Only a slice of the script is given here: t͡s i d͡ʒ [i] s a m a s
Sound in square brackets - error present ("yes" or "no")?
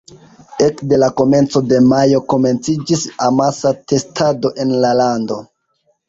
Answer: no